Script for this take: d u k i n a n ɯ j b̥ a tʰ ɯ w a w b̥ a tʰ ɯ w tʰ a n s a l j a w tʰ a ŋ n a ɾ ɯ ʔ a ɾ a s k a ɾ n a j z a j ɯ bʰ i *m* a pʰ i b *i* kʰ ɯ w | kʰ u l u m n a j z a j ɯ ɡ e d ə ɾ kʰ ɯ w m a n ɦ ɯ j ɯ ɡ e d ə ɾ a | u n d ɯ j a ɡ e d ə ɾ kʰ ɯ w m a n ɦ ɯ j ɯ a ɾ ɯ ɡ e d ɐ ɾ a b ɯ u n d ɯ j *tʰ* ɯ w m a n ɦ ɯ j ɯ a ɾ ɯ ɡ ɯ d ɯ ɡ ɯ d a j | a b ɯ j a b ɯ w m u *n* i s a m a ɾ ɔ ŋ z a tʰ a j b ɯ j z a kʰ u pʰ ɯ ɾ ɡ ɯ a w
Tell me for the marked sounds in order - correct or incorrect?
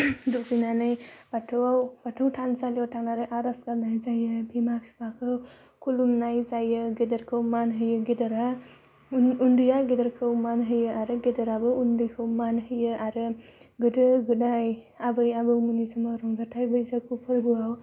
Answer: correct, incorrect: a, incorrect: kʰ, correct

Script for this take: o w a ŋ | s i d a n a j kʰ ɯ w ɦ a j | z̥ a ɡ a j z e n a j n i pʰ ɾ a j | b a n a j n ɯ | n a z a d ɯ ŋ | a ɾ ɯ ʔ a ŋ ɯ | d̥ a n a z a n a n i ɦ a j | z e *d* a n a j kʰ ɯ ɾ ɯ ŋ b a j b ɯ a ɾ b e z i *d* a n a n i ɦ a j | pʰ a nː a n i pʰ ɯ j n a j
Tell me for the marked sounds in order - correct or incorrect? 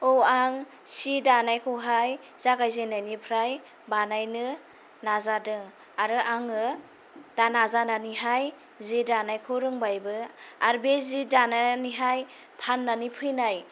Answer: correct, correct

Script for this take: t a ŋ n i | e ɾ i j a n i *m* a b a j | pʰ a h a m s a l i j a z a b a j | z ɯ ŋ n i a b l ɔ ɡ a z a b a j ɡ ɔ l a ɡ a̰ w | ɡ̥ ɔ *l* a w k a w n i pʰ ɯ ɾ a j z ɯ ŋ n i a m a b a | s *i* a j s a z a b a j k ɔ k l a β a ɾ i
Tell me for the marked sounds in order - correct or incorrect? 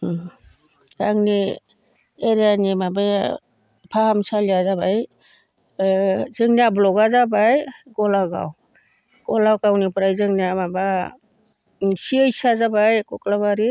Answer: correct, correct, correct

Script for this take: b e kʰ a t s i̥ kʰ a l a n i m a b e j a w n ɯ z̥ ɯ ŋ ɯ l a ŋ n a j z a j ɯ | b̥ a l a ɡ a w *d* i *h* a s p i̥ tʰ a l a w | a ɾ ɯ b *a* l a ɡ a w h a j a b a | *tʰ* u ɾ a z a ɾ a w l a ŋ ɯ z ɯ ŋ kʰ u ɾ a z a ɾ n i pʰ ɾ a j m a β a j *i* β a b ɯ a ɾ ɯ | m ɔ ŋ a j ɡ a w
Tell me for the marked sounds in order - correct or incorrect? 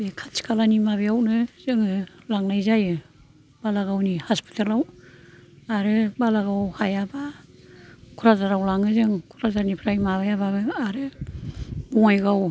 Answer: incorrect: n, correct, correct, incorrect: kʰ, incorrect: a

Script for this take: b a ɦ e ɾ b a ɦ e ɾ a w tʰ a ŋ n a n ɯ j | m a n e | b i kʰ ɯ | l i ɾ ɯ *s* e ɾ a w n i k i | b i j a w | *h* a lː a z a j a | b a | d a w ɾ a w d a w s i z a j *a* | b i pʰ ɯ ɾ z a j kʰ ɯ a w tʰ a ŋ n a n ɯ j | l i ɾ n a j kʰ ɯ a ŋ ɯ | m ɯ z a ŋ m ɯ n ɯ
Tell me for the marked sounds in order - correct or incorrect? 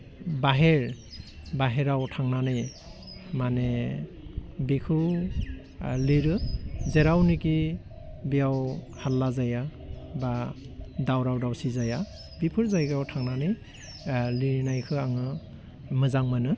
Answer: incorrect: z, correct, correct

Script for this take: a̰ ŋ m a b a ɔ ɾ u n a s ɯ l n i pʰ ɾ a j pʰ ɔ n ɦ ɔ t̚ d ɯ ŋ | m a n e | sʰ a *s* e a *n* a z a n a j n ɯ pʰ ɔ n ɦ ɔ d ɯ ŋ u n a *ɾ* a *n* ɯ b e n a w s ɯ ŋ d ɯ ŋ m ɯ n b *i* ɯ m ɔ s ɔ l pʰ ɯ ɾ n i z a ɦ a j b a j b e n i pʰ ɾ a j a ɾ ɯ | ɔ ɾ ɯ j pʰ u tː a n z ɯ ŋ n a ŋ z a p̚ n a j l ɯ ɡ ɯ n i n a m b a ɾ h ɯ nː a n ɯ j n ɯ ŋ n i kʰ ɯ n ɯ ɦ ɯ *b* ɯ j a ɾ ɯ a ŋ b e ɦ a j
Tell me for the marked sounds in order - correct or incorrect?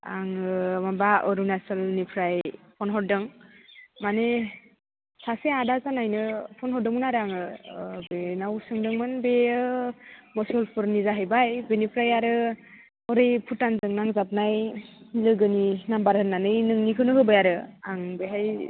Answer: correct, incorrect: d, correct, incorrect: ŋ, incorrect: e, correct

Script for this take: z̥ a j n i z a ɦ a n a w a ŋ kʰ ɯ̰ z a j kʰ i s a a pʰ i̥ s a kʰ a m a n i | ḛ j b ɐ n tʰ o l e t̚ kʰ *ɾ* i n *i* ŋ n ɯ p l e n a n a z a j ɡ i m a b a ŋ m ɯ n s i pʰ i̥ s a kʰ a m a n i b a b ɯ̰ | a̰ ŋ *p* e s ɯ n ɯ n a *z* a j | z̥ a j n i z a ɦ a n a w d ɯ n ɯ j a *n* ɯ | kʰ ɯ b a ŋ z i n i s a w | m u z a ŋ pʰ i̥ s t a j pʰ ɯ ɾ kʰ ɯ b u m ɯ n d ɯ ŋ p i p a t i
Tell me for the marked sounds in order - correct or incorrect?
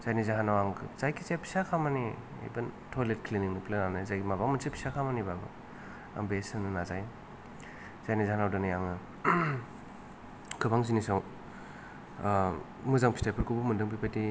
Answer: incorrect: l, correct, incorrect: b, correct, incorrect: ŋ

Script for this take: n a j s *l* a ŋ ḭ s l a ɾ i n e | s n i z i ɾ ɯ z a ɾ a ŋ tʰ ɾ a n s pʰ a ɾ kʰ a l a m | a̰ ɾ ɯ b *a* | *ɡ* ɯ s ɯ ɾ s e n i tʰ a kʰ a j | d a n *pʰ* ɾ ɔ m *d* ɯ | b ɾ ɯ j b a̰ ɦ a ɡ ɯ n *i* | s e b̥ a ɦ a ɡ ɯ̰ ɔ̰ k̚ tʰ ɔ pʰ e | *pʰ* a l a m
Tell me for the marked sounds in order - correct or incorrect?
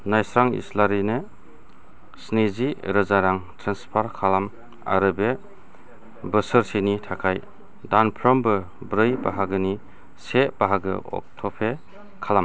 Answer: incorrect: ɾ, incorrect: e, incorrect: b, correct, incorrect: b, correct, incorrect: kʰ

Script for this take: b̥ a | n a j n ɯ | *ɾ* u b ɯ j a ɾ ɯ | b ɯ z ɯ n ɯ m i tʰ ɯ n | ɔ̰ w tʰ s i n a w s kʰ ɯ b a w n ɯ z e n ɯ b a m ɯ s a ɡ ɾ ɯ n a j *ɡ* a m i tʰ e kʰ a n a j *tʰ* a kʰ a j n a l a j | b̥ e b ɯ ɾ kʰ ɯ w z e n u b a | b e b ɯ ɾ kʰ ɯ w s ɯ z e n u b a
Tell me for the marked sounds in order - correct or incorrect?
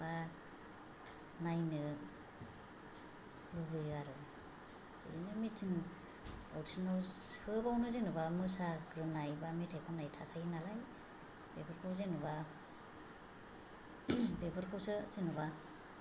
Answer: incorrect: l, incorrect: b, correct

